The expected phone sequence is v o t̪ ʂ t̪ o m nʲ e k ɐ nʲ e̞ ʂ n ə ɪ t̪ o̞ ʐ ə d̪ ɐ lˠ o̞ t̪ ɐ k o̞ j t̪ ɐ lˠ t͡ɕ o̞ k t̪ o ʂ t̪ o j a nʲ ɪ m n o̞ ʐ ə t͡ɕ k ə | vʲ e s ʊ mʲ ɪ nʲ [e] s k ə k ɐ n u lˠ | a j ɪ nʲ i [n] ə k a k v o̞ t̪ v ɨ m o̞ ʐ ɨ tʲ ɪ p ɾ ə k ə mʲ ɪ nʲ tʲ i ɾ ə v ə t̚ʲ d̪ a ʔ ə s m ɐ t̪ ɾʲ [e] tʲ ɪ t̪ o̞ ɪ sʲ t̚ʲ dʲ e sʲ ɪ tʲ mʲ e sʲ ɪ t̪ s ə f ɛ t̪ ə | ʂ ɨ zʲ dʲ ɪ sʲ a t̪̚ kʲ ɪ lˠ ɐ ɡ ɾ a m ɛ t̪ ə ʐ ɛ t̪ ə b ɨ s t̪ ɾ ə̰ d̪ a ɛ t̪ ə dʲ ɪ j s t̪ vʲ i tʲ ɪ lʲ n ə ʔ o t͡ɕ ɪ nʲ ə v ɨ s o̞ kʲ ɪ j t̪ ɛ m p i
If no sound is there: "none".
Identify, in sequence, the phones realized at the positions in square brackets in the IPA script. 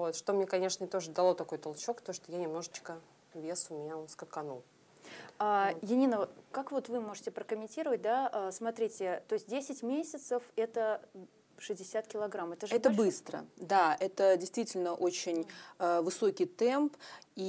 a, n, i

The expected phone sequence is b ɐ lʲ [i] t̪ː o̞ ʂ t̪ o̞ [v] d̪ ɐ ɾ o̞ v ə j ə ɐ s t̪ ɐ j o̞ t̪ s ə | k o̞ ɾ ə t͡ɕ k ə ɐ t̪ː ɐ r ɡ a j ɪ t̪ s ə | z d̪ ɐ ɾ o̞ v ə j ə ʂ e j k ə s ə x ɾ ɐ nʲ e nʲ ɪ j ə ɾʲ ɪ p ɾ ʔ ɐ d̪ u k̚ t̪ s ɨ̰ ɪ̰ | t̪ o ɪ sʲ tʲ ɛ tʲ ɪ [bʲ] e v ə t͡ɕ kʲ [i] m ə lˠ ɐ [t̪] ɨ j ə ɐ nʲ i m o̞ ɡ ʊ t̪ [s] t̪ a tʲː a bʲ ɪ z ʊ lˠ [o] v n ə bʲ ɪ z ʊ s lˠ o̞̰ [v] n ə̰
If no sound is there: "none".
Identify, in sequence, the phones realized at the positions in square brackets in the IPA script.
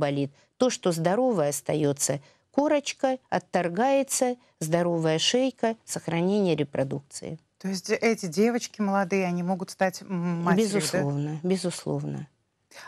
i, z, dʲ, ɪ, d̪, s, o, v

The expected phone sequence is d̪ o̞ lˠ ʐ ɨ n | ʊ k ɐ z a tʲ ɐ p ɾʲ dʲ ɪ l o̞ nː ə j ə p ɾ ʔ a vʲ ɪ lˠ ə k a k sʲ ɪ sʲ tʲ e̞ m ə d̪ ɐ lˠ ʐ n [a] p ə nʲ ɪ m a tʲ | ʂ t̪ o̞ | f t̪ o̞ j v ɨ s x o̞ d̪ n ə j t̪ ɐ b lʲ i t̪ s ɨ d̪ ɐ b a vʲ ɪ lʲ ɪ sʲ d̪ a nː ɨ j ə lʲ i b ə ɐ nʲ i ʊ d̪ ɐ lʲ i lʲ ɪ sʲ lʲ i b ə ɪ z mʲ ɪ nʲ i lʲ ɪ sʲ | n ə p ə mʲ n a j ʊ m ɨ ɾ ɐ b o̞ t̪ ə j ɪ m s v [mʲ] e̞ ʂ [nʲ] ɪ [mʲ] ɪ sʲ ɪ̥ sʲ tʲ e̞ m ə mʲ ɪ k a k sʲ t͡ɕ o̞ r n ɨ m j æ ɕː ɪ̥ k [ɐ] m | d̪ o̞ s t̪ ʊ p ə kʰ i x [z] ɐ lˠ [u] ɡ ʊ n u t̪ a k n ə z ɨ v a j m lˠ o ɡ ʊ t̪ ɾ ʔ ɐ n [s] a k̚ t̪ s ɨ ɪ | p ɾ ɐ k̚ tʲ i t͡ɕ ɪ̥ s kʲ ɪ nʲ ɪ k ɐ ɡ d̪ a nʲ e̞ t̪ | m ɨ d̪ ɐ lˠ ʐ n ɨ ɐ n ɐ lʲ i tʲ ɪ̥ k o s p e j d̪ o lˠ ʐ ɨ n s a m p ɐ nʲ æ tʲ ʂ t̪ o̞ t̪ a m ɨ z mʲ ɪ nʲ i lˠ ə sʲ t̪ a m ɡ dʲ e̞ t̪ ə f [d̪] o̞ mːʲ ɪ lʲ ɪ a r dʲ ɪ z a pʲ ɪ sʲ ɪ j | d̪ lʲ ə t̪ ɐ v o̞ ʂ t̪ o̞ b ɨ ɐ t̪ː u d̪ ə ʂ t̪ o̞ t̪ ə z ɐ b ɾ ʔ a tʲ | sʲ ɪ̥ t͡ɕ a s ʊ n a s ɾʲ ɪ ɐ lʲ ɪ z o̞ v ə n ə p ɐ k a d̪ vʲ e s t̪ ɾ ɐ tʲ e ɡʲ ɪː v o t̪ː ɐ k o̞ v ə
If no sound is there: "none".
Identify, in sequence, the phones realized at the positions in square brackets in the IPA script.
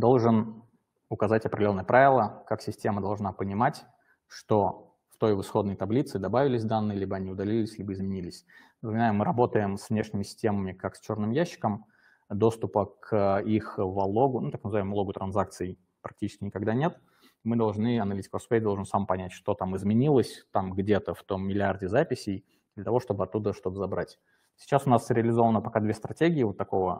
a, nʲ, nʲ, mʲ, ə, v, o, z, t̪

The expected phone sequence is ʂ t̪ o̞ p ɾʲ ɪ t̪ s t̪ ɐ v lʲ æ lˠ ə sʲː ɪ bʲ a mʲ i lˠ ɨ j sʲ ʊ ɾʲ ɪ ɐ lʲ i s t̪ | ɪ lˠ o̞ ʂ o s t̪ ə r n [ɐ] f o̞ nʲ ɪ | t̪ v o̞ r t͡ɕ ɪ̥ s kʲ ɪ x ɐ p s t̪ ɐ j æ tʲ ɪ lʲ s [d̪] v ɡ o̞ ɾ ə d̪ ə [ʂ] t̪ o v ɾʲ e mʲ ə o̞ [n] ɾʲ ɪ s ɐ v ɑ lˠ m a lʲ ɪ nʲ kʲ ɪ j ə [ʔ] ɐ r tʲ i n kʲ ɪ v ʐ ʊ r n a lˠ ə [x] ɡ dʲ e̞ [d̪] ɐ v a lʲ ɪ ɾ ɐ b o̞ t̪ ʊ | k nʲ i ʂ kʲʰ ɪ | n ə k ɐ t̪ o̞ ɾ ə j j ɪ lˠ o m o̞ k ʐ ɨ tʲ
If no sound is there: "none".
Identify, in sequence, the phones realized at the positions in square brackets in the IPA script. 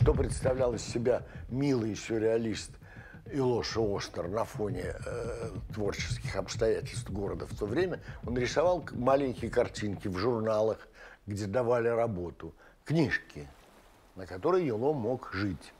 ɐ, t̪, f, n, k, x, d̪

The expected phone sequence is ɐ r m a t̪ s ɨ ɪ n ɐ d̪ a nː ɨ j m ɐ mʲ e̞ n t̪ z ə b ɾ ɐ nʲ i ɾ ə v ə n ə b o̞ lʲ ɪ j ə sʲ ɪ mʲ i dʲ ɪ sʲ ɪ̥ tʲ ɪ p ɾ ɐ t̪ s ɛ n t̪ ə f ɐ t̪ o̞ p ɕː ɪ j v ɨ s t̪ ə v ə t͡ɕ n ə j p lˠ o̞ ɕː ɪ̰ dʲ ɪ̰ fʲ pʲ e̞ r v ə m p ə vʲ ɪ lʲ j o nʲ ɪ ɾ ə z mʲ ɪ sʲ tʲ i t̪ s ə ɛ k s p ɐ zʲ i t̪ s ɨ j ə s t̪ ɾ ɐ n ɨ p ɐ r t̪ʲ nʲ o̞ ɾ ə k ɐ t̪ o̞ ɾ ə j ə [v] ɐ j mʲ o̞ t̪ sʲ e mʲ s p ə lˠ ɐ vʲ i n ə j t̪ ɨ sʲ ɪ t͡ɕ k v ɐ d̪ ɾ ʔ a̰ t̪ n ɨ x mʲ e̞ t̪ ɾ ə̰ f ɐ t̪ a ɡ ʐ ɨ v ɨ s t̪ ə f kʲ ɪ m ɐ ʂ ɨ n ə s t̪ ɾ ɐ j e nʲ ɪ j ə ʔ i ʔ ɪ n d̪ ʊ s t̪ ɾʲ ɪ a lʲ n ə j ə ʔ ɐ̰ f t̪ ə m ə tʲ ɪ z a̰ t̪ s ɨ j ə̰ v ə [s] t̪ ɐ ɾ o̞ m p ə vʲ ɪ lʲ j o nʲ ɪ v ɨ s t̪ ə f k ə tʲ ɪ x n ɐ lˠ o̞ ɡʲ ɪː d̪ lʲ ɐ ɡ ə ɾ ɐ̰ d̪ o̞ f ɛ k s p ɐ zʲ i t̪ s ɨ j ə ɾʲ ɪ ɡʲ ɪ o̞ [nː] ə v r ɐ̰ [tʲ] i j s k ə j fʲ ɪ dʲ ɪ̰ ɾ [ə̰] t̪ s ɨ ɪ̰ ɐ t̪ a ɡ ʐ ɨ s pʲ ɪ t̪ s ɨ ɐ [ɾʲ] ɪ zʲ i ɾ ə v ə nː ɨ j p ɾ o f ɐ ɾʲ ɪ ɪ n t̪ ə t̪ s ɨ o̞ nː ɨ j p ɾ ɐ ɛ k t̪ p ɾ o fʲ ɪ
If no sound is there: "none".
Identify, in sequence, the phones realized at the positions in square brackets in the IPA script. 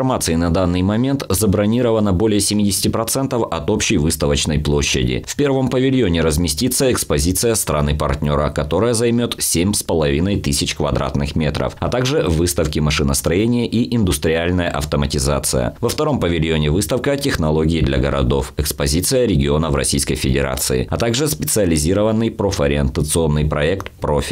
z, f, n, sʲ, a̰, lʲ

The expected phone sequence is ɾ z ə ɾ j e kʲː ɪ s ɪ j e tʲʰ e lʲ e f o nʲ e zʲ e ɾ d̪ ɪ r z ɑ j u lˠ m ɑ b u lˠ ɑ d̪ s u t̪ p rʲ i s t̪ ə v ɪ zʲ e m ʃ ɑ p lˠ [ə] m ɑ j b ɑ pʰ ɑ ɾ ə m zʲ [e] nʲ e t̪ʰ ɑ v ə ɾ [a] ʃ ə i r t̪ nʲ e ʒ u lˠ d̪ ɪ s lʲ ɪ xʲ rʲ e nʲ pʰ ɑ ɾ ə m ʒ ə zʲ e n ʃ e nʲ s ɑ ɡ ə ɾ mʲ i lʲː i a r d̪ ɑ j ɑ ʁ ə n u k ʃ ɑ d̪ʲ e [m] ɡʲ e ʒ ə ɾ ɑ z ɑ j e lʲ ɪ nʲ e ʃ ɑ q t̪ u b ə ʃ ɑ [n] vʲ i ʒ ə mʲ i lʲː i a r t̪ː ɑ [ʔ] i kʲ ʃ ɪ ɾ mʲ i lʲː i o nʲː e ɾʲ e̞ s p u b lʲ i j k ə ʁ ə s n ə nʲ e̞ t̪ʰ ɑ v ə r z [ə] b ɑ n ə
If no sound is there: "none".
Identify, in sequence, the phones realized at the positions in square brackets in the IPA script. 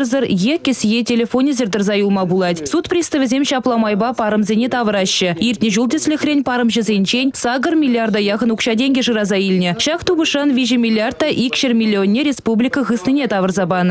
ɑ, e, ɑ, ŋ, n, ʔ, ɑ

